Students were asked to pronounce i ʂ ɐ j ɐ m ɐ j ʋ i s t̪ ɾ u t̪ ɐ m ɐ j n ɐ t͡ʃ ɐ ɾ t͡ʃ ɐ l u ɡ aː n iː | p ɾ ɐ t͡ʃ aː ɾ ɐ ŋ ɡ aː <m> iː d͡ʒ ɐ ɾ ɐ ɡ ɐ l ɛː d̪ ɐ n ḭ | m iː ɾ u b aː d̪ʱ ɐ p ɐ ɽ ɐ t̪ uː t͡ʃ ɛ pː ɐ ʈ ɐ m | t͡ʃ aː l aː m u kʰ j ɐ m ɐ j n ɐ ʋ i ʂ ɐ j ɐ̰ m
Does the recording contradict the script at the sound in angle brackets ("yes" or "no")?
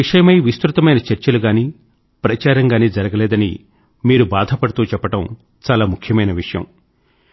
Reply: yes